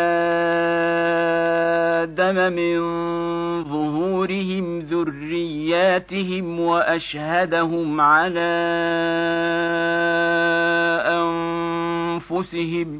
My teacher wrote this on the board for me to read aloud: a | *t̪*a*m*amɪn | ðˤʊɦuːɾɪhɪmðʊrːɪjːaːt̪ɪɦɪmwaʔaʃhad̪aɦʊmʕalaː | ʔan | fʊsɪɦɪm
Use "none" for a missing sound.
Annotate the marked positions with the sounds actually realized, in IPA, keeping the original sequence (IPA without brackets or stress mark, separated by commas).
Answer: d̪, m